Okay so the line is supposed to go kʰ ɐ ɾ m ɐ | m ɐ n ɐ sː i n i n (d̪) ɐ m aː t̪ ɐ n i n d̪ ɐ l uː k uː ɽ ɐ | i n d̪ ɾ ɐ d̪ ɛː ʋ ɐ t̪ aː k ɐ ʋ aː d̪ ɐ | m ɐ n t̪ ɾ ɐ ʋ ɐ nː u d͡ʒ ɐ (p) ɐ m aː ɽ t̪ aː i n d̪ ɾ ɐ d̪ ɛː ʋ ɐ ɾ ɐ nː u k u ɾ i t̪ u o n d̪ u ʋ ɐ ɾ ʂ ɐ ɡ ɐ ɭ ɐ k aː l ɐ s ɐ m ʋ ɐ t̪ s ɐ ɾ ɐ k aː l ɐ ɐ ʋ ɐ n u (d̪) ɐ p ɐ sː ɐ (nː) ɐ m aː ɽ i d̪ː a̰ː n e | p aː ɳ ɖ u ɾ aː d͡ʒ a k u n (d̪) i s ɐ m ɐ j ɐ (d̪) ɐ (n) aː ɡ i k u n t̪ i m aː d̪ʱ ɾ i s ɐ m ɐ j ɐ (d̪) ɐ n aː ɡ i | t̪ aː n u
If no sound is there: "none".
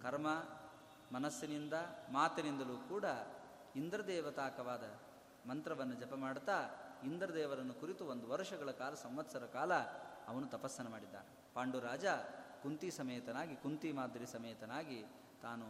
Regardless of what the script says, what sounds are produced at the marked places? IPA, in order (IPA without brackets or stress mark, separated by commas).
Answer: d̪, p, t̪, n, t̪, t̪, n, t̪